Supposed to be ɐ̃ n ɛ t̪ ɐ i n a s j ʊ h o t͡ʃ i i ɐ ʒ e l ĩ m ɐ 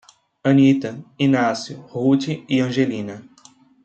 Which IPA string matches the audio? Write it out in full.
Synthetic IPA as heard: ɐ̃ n i t̪ ɐ i n a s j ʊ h u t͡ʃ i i ɐ̃ ʒ e l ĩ n ɐ

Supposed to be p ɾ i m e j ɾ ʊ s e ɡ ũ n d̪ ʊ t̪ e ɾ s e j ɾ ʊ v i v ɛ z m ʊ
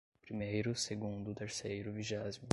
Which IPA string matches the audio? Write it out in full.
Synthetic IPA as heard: p ɾ i m e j ɾ ʊ s e ɡ ũ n d̪ ʊ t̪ e ɾ s e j ɾ ʊ v i ʒ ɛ z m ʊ

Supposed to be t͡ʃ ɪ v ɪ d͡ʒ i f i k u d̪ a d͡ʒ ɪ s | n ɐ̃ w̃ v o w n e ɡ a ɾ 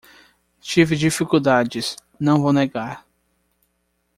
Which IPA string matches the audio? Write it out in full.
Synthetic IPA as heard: t͡ʃ i v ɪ d͡ʒ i f i k u d̪ a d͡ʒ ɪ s | n ɐ̃ w̃ v o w n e ɡ a ɾ

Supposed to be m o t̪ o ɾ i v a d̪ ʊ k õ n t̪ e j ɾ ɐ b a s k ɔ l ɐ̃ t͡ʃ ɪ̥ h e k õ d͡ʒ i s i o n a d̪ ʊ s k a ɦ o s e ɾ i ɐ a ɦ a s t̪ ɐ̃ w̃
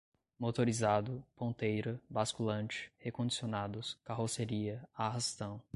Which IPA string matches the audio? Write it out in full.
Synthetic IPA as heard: m o t̪ o ɾ i z a d̪ ʊ p õ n t̪ e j ɾ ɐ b a s k u l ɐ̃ t͡ʃ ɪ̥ h e k õ d͡ʒ i s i o n a d̪ ʊ s k a ɦ o s e ɾ i ɐ a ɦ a s t̪ ɐ̃ w̃

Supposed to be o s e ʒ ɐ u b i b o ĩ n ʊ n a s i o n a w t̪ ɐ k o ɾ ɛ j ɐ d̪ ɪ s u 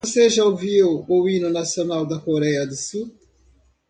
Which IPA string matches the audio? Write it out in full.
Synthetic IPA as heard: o s e ʒ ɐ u v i w o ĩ n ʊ n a s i o n a w d̪ ɐ k o ɾ ɛ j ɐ d̪ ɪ s u

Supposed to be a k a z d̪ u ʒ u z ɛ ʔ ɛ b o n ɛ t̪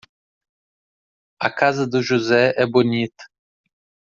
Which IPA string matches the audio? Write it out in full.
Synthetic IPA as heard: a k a z d̪ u ʒ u z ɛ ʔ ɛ b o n i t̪

